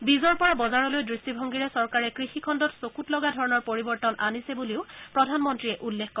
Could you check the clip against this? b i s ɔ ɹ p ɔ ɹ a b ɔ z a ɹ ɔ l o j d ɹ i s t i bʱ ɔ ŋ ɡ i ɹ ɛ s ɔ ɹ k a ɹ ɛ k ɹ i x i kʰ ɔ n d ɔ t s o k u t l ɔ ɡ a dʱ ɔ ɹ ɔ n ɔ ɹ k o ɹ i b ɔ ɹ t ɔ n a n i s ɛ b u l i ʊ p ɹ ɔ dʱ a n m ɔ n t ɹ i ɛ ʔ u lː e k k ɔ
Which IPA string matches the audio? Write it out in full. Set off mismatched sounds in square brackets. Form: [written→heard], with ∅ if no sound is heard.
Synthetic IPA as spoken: b i [s→z] ɔ ɹ p ɔ ɹ a b ɔ z a ɹ ɔ l o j d ɹ i s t i bʱ ɔ ŋ ɡ i ɹ ɛ s ɔ ɹ k a ɹ ɛ k ɹ i x i kʰ ɔ n d ɔ t s o k u t l ɔ ɡ a dʱ ɔ ɹ ɔ n ɔ ɹ [k→p] o ɹ i b ɔ ɹ t ɔ n a n i s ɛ b u l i ʊ p ɹ ɔ dʱ a n m ɔ n t ɹ i ɛ ʔ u lː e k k ɔ